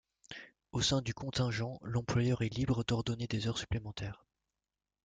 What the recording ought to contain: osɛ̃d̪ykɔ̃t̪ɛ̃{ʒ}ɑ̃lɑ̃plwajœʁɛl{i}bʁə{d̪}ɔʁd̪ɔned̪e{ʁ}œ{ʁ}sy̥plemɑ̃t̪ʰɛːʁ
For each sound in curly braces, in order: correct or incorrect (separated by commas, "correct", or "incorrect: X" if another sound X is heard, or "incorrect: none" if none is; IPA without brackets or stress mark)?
correct, correct, correct, incorrect: z, correct